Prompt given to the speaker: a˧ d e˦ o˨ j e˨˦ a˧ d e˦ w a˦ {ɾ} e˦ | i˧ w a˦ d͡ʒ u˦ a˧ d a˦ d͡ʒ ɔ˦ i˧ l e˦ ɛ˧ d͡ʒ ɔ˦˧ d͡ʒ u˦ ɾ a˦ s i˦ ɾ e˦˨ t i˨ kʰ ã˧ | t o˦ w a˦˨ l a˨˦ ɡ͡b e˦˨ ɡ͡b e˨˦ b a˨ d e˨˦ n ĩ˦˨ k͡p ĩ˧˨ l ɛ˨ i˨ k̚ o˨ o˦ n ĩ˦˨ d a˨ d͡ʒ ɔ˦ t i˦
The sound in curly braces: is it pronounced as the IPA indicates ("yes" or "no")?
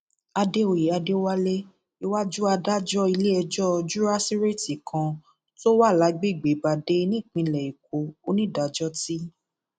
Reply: no